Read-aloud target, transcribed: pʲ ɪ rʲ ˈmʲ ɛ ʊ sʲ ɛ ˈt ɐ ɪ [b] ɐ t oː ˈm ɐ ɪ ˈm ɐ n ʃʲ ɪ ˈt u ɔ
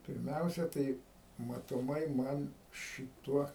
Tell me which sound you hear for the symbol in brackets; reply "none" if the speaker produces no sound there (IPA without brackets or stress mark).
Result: m